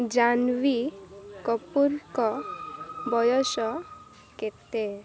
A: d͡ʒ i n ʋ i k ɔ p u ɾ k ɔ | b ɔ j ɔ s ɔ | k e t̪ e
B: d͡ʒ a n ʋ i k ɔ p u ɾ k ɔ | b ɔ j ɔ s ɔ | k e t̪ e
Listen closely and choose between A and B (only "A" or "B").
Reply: B